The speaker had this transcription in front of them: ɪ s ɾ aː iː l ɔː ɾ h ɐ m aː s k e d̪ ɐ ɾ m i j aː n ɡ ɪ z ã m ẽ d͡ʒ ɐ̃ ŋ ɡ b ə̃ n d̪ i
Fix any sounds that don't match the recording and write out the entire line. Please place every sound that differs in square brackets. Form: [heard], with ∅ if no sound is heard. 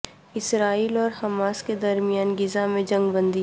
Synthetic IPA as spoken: ɪ s ɾ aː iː l ɔː ɾ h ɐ m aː s k e d̪ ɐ ɾ m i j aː n ɡ ɪ z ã m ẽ d͡ʒ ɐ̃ ŋ ɡ b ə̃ n d̪ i